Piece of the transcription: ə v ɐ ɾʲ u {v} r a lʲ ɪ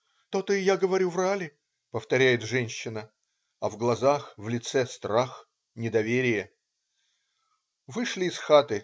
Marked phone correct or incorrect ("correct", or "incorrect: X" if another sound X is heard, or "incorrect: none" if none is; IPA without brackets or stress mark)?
correct